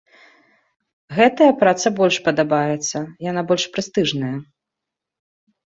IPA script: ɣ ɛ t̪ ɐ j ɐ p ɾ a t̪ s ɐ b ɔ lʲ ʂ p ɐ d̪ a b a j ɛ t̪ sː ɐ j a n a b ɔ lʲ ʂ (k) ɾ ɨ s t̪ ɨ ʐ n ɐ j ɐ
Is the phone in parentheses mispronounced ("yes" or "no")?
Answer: yes